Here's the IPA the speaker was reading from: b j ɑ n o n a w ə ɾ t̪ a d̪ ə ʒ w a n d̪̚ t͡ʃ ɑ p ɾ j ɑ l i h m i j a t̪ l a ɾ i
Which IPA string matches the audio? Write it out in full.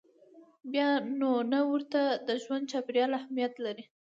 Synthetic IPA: b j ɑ n o n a w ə ɾ t̪ a d̪ ə ʒ w a n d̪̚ t͡ʃ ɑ p ɾ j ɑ l a h m i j a t̪ l a ɾ i